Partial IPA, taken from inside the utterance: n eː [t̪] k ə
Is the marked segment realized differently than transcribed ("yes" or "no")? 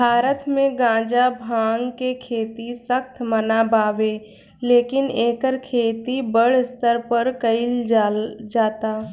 yes